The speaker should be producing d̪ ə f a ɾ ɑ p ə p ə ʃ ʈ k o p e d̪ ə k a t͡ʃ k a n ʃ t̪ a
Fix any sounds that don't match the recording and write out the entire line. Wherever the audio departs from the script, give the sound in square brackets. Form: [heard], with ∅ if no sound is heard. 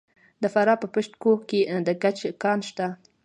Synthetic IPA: d̪ ə f a ɾ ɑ p ə p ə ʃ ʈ k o [k] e d̪ ə k a t͡ʃ k [ɑ] n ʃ t̪ a